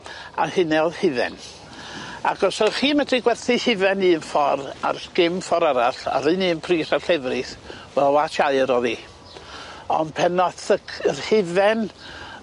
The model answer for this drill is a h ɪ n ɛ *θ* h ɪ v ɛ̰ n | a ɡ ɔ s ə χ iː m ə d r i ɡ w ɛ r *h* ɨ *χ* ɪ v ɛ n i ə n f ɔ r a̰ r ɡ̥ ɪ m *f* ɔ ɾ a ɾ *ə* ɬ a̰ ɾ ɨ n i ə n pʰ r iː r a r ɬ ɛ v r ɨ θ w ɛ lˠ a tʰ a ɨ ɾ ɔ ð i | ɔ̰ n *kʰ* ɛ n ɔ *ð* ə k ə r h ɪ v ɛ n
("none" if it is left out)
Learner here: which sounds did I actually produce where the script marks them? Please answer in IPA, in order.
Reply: ð, θ, h, f, a, pʰ, θ

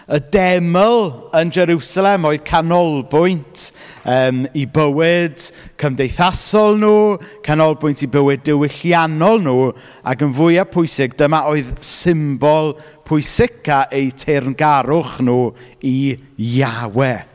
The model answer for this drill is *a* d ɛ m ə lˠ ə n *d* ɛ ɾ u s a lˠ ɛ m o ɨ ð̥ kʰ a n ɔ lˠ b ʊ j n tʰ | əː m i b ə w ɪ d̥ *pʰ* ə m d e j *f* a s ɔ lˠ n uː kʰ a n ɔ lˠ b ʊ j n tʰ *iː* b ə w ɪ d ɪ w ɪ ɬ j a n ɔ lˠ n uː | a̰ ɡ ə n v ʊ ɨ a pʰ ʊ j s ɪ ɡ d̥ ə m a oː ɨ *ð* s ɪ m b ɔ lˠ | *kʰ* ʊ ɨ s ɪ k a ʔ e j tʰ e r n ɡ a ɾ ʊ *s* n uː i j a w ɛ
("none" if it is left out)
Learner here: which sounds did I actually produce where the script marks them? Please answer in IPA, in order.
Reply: ə, d͡ʒ, kʰ, θ, i, ð, pʰ, χ

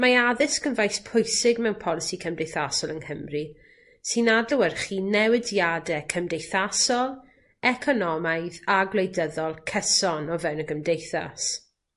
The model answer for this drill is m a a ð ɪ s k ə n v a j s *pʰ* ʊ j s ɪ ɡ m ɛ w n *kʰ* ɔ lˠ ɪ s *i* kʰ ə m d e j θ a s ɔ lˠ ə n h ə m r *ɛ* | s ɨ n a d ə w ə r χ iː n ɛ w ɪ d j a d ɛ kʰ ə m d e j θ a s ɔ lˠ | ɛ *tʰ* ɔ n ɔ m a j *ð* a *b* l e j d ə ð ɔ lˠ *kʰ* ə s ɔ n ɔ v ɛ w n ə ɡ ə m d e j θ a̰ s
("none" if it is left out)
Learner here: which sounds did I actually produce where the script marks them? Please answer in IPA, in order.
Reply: pʰ, pʰ, i, i, kʰ, ð, ɡ, kʰ

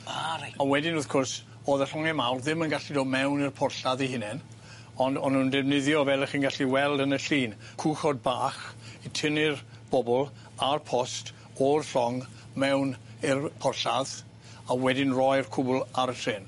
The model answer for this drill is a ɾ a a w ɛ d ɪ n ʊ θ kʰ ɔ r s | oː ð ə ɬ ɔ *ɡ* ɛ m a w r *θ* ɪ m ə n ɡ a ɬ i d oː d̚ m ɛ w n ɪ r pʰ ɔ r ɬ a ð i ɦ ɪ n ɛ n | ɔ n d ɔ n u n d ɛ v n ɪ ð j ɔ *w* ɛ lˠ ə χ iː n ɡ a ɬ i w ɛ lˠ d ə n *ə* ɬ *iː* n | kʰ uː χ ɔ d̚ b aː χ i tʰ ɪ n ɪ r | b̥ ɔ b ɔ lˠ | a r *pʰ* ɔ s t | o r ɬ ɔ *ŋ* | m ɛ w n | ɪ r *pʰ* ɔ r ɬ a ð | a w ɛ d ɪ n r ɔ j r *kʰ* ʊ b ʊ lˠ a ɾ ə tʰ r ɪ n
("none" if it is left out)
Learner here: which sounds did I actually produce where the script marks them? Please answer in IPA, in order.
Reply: ŋ, ð, v, ə, iː, pʰ, ŋ, pʰ, kʰ

